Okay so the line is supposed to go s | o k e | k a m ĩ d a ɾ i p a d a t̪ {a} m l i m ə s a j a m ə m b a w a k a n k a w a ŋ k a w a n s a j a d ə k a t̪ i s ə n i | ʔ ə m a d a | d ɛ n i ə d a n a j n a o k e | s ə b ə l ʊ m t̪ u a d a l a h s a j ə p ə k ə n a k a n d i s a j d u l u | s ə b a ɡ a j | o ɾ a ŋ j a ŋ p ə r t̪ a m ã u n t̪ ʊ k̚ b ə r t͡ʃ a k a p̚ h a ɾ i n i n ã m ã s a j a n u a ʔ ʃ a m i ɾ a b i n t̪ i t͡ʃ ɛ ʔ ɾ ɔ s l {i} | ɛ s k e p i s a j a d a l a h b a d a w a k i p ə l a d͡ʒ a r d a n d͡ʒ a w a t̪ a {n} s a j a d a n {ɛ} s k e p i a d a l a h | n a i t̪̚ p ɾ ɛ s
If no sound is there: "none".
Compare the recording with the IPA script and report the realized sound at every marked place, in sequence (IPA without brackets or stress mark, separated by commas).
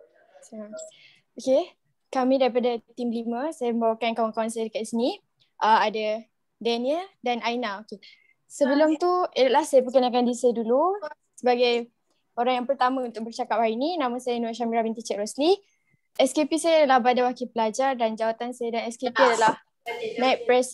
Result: i, i, n, ɛ